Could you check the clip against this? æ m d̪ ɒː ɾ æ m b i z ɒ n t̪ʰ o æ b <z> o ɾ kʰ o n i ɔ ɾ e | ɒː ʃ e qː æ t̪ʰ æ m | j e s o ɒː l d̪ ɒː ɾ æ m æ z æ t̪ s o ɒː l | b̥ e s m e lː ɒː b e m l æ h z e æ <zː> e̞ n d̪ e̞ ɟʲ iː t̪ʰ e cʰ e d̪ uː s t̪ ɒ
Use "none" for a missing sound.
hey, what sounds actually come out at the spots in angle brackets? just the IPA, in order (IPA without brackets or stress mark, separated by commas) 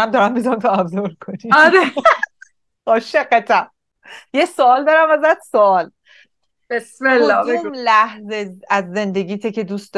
z, zː